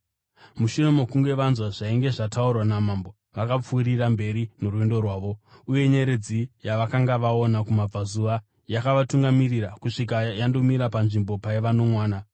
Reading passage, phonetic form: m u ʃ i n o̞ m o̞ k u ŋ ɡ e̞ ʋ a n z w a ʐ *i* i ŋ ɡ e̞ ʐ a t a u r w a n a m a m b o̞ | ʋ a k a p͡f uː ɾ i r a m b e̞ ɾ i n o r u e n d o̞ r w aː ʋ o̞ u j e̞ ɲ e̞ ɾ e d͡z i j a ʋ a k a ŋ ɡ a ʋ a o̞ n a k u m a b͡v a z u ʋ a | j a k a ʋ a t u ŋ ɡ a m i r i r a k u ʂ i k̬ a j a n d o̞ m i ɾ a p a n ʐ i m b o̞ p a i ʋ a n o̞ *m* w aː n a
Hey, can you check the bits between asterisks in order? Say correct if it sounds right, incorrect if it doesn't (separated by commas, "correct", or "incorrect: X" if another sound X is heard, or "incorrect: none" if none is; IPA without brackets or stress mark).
incorrect: a, correct